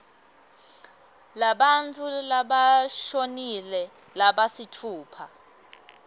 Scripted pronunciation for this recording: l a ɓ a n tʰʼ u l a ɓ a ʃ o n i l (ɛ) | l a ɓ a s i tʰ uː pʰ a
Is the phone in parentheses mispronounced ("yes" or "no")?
no